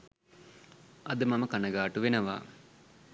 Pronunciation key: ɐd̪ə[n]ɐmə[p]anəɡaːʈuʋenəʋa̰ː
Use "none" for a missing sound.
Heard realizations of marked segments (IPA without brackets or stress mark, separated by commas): m, k